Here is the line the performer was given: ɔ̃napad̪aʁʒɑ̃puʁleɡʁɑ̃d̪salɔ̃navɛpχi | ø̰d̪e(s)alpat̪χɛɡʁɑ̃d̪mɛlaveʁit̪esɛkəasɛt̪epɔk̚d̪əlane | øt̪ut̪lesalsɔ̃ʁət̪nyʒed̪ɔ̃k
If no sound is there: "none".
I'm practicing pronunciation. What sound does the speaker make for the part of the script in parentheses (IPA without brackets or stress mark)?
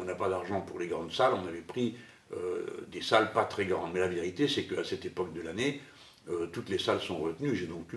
s